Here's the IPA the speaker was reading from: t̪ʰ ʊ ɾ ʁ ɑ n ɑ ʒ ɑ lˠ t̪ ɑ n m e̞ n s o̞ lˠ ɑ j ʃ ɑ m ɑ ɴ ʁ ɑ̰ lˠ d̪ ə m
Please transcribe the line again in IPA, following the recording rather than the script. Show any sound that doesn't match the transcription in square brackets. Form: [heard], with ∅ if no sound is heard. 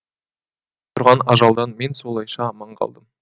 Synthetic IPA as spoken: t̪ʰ ʊ ɾ ʁ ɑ n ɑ ʒ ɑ lˠ [d̪] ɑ n m e̞ n s o̞ lˠ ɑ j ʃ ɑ m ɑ ɴ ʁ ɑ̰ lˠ d̪ ə m